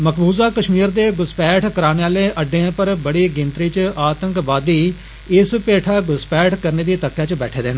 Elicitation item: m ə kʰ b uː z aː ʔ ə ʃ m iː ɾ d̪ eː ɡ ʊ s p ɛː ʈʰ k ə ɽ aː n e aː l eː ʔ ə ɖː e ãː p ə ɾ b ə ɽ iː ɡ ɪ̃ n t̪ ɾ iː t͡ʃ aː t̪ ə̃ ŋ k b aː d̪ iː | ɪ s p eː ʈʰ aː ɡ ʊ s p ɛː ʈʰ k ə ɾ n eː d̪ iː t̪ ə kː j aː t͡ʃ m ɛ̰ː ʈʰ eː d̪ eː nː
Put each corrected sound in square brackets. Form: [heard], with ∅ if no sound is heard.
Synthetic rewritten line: m ə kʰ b uː z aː [k] ə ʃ m iː ɾ d̪ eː ɡ ʊ s p ɛː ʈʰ k ə [ɾ] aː n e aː l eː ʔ ə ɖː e ãː p ə ɾ b ə ɽ iː ɡ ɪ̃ n t̪ ɾ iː t͡ʃ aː t̪ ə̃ ŋ k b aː d̪ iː | ɪ s p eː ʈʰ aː ɡ ʊ s p ɛː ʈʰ k ə ɾ n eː d̪ iː t̪ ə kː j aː t͡ʃ [b] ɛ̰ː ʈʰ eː d̪ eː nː